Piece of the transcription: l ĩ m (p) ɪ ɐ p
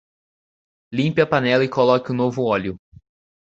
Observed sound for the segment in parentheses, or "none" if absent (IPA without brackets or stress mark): p